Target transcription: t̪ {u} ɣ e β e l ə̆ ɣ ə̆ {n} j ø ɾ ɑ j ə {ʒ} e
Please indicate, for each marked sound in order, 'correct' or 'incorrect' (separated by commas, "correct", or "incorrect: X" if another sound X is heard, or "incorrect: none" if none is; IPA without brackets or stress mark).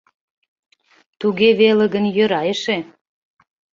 correct, correct, incorrect: ʃ